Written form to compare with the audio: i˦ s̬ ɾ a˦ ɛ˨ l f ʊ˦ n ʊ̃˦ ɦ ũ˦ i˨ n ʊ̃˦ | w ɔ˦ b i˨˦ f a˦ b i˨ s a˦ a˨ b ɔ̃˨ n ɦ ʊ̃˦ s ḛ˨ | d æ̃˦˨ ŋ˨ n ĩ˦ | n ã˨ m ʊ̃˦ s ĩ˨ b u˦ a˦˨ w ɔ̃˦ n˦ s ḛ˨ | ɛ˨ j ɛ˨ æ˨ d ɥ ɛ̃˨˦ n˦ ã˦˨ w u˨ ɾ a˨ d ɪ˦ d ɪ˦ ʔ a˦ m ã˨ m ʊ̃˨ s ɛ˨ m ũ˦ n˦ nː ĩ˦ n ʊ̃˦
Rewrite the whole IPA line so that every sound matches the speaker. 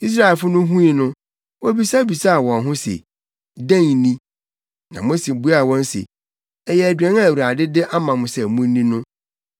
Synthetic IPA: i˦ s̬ ɾ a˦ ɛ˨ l f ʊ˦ n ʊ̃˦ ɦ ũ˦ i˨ n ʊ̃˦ | w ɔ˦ b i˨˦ s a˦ b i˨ s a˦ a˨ w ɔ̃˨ n ɦ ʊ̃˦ s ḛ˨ | d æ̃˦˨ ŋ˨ n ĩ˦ | n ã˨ m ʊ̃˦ s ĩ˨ b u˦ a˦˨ w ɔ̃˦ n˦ s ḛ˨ | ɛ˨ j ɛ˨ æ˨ d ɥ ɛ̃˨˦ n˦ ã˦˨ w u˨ ɾ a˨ d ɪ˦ d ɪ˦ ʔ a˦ m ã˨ m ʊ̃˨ s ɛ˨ m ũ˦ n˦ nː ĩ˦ n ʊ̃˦